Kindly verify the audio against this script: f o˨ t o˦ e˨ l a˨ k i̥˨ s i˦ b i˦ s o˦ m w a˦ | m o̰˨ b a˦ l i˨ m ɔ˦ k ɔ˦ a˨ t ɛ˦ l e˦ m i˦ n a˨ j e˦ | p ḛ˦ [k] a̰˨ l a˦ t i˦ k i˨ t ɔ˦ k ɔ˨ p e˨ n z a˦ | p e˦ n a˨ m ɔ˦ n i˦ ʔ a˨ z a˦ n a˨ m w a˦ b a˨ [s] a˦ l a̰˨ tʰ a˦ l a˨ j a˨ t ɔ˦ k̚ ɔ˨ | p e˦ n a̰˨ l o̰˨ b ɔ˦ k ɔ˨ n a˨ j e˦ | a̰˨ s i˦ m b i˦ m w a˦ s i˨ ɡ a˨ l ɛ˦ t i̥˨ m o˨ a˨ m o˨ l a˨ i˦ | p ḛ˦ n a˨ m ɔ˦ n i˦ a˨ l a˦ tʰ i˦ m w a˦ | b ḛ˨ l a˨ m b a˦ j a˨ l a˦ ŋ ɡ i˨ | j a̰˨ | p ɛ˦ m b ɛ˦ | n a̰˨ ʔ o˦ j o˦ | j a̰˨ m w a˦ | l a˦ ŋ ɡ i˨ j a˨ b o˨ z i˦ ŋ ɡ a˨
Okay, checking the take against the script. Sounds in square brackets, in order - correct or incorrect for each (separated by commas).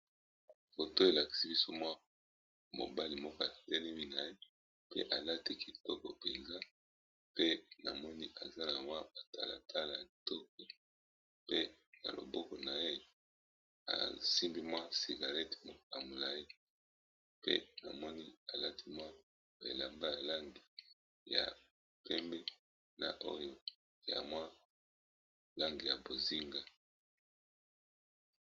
incorrect, incorrect